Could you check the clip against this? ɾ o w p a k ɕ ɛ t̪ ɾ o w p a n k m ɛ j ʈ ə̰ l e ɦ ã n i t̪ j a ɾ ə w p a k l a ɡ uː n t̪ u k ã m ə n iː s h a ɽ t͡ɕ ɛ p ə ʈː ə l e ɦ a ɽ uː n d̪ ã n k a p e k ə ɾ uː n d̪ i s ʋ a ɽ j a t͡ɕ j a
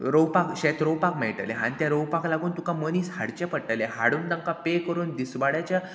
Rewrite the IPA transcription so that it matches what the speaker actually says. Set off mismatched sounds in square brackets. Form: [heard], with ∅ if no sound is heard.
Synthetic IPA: ɾ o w p a k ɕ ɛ t̪ ɾ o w p a [∅] k m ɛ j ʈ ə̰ l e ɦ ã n i t̪ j a ɾ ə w p a k l a ɡ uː n t̪ u k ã m ə n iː s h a ɽ t͡ɕ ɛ p ə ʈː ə l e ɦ a ɽ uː n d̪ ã [ŋ] k a p e k ə ɾ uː n d̪ i s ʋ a ɽ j a t͡ɕ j a